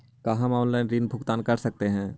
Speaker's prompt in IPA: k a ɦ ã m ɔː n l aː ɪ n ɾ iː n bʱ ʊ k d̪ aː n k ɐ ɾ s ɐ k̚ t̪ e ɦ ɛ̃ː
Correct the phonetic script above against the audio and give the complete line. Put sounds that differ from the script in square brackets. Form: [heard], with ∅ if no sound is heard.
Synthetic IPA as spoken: k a ɦ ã m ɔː n l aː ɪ n ɾ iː n bʱ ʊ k [t̪] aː n k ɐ ɾ s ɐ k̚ t̪ e ɦ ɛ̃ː